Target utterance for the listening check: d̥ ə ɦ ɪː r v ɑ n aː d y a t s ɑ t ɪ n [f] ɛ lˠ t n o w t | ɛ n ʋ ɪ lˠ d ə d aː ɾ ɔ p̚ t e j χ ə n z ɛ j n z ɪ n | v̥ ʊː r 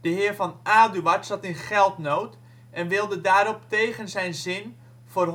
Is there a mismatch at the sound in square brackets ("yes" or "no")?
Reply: yes